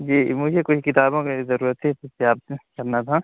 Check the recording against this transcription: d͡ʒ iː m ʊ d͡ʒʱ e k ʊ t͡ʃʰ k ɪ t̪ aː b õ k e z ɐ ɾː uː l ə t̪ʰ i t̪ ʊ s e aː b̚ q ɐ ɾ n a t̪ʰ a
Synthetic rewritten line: d͡ʒ iː m ʊ d͡ʒʱ e k ʊ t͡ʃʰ k ɪ t̪ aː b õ k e z ɐ ɾ uː ɾ ə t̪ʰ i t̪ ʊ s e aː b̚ k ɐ ɾ n a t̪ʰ a